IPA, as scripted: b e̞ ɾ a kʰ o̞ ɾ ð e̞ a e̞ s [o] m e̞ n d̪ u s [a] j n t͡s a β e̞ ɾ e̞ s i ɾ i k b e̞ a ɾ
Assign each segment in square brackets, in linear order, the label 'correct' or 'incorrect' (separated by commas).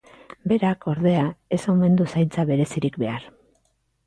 correct, correct